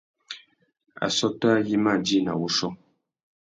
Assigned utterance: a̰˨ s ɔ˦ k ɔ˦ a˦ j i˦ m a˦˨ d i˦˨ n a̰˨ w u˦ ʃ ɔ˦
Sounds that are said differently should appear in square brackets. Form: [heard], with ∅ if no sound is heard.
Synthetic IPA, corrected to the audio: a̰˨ s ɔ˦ [t] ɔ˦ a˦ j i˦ m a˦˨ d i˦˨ n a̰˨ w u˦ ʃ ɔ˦

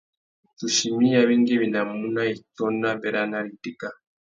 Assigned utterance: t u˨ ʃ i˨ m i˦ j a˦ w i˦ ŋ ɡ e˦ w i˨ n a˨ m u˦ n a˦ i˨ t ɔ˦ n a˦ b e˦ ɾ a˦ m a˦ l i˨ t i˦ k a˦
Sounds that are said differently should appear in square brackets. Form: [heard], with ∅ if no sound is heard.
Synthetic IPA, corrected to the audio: t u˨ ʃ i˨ m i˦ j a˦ [β] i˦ ŋ ɡ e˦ [β] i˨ n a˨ m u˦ n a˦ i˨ t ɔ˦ n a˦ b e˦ ɾ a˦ [n] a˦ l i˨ t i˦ k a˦

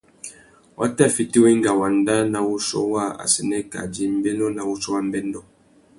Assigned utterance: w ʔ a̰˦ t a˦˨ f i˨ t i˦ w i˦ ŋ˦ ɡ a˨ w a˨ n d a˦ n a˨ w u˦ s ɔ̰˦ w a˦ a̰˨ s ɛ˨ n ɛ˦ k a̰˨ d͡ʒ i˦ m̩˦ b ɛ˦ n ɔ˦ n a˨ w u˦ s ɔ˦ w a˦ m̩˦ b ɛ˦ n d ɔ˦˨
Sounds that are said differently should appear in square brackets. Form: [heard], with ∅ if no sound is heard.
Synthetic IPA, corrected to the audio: w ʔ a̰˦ t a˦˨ f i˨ t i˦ w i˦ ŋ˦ ɡ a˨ w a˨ n d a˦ n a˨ w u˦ s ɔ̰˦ w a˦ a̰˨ s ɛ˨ n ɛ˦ k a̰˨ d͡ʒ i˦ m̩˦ b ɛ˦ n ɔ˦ n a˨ w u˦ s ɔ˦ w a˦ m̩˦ b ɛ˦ n d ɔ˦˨

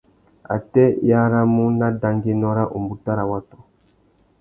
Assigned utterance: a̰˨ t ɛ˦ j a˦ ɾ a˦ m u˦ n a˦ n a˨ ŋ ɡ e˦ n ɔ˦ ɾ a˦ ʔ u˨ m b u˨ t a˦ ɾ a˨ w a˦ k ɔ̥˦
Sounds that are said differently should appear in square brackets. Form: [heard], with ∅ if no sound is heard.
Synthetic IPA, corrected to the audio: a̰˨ t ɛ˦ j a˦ ɾ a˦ m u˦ n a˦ [d] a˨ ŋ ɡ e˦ n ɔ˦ ɾ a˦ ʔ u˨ m b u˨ t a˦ ɾ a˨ w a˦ [t] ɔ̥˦

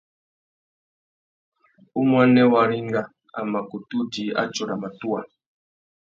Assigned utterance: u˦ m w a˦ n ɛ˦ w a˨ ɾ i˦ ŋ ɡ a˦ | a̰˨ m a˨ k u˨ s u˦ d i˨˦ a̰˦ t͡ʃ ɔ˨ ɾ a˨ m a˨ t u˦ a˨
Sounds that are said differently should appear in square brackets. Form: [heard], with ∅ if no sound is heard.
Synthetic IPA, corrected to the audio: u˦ m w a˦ n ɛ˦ w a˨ ɾ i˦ ŋ ɡ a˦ | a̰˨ m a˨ k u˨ [t] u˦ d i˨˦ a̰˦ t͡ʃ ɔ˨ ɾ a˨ m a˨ t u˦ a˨

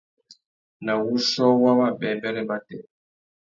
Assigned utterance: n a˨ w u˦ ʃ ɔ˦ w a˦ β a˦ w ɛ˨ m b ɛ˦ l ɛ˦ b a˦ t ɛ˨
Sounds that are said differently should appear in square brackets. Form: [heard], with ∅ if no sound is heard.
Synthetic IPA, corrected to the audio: n a˨ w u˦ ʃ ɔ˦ w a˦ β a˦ [b] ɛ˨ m b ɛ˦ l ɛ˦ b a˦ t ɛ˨

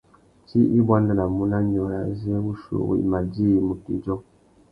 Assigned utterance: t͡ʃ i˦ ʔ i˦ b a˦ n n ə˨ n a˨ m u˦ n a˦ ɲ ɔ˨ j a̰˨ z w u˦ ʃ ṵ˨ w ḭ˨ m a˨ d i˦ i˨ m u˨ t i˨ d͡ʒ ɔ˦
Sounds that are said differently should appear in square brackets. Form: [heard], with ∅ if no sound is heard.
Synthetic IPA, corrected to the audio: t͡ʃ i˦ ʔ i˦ b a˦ n [d] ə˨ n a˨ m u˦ n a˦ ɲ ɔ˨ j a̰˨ z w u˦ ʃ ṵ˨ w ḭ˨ m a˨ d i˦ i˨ m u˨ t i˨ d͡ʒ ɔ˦

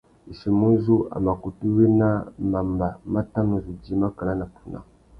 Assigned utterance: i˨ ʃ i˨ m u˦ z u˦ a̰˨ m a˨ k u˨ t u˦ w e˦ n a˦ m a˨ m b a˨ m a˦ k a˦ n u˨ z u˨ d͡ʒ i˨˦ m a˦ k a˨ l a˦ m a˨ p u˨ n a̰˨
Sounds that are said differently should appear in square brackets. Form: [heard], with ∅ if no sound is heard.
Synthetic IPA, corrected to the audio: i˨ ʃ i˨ m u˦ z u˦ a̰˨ m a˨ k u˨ t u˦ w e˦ n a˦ m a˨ m b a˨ m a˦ [t] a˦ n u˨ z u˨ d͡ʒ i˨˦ m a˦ k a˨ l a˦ [n] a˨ p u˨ n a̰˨

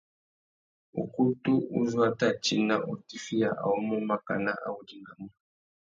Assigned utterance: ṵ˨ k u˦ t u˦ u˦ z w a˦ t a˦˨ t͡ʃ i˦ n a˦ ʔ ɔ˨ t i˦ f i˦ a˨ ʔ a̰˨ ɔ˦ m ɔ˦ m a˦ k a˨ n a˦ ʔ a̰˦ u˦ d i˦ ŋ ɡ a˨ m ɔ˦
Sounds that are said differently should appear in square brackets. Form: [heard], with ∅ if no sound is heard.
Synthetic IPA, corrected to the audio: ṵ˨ k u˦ t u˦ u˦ z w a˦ t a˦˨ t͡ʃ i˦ n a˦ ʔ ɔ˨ t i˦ f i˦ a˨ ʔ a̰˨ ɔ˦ m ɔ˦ m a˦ k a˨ n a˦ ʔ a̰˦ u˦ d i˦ ŋ ɡ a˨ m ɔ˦

